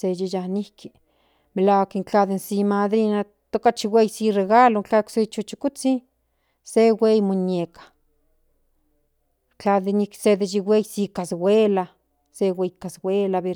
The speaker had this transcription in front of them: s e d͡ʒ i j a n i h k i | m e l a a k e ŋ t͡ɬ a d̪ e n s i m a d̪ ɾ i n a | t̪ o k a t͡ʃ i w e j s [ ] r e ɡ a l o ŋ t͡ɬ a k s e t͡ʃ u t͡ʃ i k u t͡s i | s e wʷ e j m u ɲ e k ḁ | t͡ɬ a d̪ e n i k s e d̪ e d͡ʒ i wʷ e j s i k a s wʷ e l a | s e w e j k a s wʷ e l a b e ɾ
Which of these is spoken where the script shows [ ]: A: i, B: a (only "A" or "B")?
A